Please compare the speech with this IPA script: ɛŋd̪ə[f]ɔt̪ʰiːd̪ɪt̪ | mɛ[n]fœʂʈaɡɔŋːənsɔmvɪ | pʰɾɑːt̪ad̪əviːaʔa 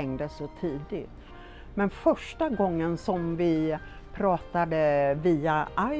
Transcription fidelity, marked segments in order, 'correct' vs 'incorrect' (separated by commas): incorrect, correct